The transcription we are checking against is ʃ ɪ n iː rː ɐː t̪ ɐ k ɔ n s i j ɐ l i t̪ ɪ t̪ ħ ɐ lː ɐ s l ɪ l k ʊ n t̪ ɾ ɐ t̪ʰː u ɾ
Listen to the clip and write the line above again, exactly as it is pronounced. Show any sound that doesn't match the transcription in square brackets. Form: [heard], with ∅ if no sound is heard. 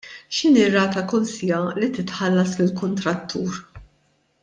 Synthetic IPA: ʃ ɪ n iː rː ɐː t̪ ɐ k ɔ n s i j ɐ l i t̪ ɪ t̪ ħ ɐ lː ɐ s l ɪ l k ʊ n t̪ ɾ ɐ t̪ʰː [uː] ɾ